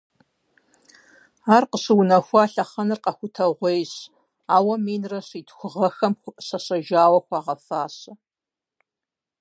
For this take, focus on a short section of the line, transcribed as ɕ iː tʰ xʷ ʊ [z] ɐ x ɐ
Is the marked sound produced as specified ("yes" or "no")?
no